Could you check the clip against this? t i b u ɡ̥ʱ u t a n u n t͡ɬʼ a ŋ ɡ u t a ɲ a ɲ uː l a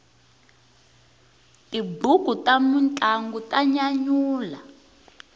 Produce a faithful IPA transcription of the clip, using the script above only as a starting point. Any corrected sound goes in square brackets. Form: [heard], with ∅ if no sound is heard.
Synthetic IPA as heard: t i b u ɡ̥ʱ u t a [m] u n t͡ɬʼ a ŋ ɡ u t a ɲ a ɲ uː l a